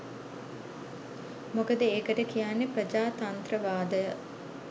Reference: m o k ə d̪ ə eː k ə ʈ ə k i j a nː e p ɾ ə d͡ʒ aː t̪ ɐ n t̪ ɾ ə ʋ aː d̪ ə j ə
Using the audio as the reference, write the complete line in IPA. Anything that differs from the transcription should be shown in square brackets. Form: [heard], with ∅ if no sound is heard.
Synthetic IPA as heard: m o k ə d̪ ə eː k ə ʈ ə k i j a nː e p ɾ ə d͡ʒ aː t̪ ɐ n t̪ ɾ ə ʋ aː d̪ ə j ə